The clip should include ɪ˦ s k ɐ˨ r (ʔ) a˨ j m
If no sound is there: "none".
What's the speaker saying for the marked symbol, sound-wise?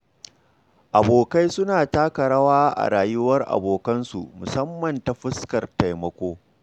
t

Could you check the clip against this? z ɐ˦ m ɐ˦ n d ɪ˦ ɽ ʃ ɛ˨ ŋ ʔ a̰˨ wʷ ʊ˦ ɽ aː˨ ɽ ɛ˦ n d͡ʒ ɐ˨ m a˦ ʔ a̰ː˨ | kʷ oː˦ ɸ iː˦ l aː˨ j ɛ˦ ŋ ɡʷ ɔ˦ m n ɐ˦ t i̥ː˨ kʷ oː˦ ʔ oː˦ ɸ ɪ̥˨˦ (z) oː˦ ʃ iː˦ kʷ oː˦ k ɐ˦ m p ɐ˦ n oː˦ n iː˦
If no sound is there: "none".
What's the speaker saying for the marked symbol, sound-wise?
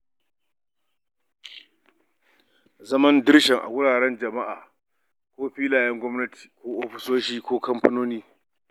s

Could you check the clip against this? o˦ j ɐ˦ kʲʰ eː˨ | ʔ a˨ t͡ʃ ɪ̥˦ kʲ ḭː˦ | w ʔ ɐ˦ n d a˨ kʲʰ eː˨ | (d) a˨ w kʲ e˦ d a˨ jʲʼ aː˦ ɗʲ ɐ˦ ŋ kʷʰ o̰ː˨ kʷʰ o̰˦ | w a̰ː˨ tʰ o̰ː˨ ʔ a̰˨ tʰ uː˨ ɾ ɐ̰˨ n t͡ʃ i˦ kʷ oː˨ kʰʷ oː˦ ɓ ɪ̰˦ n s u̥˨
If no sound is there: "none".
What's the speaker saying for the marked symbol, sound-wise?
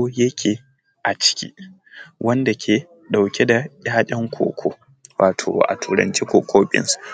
ɗ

